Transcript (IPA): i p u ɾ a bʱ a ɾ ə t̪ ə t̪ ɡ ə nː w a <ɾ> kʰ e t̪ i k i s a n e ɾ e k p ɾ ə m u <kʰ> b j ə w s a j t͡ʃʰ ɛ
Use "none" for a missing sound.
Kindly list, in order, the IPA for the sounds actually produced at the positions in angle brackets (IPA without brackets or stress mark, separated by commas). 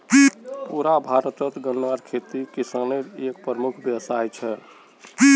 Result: ɾ, kʰ